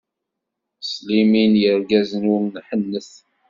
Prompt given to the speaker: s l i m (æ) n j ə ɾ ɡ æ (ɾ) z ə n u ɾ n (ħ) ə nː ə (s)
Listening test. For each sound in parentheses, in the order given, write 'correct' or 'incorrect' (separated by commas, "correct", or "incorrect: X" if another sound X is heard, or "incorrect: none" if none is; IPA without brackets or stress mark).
incorrect: i, incorrect: none, correct, incorrect: θ